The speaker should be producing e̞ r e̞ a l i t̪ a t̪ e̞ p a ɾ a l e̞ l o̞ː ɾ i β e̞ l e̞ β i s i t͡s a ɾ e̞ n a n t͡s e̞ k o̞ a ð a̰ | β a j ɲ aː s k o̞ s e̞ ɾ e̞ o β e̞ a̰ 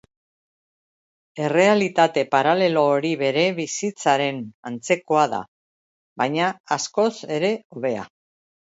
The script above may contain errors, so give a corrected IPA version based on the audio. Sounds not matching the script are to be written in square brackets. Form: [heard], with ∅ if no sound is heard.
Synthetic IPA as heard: e̞ r e̞ a l i t̪ a t̪ e̞ p a ɾ a l e̞ l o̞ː ɾ i β e̞ [ɾ] e̞ β i s i t͡s a ɾ e̞ n a n t͡s e̞ k o̞ a ð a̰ | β a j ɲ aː s k o̞ s e̞ ɾ e̞ o β e̞ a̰